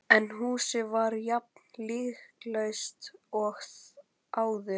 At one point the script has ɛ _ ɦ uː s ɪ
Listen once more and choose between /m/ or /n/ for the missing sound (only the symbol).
n